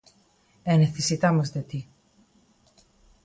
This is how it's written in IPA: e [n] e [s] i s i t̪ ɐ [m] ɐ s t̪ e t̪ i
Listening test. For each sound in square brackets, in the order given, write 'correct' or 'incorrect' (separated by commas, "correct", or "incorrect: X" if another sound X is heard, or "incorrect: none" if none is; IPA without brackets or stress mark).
correct, incorrect: θ, correct